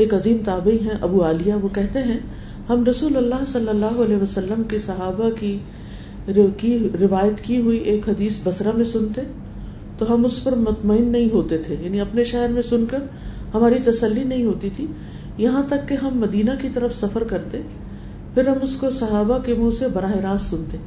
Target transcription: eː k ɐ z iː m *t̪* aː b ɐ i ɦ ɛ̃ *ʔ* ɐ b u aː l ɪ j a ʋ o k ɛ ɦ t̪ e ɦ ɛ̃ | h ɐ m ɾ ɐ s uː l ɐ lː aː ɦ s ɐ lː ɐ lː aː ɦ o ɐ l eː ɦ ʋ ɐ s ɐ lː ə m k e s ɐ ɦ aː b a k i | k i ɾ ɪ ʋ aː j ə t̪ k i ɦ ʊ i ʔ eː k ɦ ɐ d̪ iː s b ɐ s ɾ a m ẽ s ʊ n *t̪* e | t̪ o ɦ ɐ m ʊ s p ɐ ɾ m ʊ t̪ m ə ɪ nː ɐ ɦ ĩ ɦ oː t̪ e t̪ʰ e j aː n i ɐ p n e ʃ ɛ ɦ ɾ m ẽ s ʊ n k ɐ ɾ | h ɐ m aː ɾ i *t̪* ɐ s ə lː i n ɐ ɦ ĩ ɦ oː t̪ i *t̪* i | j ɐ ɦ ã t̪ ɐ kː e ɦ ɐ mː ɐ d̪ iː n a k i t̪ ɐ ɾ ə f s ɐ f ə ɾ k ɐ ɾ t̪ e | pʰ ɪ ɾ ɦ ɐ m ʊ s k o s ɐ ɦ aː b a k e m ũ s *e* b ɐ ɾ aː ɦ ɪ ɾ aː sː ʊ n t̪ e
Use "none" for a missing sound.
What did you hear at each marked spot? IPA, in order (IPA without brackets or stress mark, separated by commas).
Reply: t̪, ʔ, t̪, t̪, t̪ʰ, e